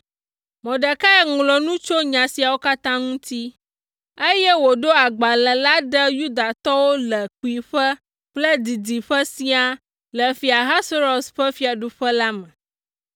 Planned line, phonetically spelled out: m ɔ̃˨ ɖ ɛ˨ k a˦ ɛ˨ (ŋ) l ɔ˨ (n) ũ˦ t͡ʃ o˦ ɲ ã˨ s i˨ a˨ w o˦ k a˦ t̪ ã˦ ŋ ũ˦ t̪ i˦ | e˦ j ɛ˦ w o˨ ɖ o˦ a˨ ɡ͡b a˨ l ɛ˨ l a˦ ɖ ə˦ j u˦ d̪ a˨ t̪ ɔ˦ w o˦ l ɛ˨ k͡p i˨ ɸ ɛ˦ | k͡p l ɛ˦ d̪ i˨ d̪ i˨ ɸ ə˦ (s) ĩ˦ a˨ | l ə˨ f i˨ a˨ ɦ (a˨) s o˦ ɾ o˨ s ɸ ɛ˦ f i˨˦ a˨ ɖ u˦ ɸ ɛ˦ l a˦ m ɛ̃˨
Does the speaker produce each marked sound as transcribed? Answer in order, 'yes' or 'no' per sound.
yes, yes, yes, no

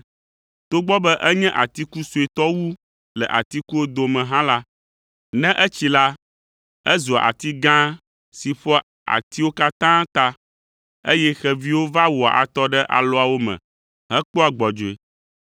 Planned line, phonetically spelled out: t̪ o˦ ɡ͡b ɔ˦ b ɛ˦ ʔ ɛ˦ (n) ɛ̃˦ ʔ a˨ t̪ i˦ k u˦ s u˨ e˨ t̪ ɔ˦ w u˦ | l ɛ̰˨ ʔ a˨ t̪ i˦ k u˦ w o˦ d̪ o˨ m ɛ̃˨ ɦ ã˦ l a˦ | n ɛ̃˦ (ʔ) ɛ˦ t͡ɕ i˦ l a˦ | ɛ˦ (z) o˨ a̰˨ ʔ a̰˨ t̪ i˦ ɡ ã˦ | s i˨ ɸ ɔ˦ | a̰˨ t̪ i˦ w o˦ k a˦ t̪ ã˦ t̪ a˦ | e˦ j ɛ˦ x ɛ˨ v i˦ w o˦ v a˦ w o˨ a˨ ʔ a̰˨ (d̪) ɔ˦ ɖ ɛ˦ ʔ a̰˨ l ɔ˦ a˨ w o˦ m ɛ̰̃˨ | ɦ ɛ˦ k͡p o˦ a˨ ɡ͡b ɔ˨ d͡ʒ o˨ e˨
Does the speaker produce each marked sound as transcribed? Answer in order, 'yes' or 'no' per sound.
no, yes, yes, no

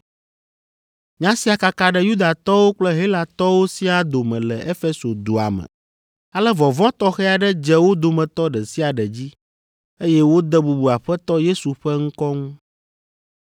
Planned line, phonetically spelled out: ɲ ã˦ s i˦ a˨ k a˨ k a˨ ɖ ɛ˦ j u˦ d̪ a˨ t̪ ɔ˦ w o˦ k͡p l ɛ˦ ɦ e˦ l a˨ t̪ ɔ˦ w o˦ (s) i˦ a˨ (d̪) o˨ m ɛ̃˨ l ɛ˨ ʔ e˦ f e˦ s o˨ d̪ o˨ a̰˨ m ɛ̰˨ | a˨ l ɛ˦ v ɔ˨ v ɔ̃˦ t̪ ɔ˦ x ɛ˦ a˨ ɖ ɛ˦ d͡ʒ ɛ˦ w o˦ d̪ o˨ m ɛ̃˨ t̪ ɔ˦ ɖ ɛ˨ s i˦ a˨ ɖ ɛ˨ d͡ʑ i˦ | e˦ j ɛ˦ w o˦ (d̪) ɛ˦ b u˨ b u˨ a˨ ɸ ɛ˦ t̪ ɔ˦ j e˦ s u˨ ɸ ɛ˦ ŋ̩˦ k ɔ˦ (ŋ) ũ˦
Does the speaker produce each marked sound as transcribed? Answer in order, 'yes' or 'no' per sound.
yes, yes, yes, yes

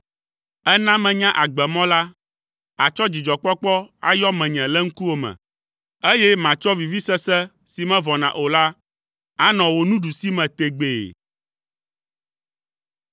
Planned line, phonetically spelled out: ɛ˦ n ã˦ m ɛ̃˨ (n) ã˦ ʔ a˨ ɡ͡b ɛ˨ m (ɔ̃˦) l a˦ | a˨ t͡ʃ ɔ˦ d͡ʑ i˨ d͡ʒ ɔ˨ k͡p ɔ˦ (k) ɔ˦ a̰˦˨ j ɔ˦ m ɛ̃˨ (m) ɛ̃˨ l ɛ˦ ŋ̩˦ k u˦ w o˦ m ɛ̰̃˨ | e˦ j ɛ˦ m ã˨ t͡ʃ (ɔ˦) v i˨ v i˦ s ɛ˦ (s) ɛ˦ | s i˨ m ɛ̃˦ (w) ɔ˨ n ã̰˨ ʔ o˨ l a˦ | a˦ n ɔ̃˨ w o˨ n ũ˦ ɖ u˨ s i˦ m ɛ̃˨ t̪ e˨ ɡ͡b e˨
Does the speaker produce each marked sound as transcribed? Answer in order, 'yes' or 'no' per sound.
no, yes, no, no, yes, yes, no

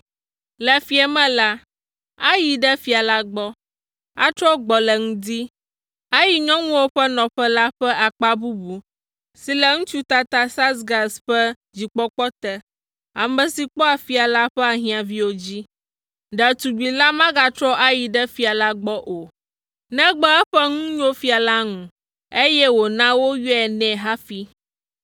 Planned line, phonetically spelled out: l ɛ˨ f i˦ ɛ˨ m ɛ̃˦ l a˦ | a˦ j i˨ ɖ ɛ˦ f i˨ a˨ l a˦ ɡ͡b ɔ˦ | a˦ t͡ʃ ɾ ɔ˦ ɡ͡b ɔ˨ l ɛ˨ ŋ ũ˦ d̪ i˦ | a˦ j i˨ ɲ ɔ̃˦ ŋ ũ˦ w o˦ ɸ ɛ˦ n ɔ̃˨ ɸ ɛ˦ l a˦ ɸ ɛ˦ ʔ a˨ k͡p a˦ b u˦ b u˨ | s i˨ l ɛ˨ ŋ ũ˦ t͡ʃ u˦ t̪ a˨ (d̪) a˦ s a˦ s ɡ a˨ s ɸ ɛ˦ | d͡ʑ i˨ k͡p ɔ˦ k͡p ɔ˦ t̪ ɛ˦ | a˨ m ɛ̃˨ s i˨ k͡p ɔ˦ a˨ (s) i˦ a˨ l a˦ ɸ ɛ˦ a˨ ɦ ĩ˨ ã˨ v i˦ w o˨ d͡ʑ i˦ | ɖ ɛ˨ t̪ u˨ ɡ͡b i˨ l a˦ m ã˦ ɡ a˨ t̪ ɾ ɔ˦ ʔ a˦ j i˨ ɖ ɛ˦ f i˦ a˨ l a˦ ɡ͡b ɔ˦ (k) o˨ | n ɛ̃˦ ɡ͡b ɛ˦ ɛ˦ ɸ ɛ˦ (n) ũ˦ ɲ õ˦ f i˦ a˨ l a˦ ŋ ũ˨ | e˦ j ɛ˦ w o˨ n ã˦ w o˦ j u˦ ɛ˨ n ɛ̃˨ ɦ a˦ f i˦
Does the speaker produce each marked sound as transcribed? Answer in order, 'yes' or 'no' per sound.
no, no, no, no

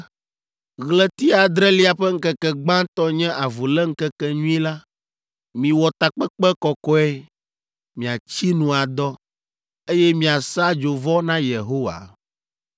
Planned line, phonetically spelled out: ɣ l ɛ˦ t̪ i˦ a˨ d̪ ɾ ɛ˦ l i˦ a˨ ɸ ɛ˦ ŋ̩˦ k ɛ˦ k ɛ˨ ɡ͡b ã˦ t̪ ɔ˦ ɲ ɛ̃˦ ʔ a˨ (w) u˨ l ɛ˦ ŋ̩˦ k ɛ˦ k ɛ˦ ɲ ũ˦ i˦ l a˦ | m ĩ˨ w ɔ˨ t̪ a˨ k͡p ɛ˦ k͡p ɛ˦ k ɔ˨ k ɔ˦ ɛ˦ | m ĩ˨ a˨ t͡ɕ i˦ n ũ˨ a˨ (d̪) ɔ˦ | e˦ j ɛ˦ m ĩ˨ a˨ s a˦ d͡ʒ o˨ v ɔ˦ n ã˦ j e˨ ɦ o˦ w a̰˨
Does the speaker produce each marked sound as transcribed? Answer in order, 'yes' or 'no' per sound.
no, yes

